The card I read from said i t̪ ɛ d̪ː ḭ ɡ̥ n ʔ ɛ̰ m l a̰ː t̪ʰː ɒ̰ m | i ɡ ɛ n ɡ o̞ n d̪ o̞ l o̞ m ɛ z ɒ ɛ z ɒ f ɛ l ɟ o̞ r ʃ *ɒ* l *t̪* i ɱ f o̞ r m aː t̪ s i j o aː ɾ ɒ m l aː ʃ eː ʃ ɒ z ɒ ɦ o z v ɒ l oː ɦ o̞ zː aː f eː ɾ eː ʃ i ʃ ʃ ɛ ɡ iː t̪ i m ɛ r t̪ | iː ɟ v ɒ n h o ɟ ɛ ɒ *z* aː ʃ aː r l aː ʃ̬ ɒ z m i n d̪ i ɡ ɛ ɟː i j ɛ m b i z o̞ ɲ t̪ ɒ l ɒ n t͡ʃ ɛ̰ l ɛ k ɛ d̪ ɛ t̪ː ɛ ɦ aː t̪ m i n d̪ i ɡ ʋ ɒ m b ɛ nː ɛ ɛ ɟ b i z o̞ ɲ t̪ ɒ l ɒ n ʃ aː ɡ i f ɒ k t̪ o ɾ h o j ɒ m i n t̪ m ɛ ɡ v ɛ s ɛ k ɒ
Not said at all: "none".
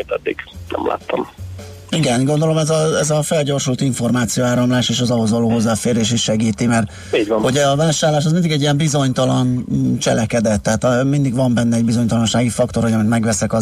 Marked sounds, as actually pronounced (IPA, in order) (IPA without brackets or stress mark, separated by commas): u, t̪, v